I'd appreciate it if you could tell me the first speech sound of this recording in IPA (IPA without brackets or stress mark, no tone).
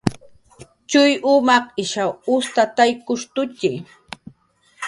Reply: t͡ʃ